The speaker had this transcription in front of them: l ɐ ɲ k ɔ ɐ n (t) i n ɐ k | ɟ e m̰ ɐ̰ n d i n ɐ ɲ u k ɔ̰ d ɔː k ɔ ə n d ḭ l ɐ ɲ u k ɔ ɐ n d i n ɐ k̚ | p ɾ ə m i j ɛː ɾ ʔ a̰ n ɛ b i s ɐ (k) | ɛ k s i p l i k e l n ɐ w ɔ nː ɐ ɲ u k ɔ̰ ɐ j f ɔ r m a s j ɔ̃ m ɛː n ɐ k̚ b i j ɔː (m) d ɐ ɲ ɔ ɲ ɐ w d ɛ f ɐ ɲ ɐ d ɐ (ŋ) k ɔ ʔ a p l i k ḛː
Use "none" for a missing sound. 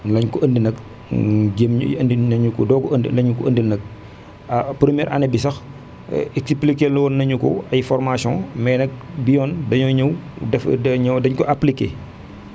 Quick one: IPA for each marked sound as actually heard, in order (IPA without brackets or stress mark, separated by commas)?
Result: d, x, n, ɲ